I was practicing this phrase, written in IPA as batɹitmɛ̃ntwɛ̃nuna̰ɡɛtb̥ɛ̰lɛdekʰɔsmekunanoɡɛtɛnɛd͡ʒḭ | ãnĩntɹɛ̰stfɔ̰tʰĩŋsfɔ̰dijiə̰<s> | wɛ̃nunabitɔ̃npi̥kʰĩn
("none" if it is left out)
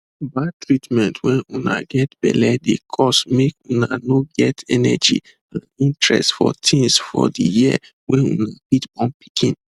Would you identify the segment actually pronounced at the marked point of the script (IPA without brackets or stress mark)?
none